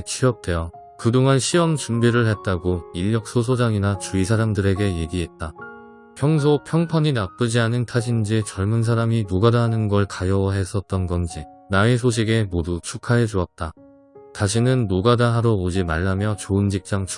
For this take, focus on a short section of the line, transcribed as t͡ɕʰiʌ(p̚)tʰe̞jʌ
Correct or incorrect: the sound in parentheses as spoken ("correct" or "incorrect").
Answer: correct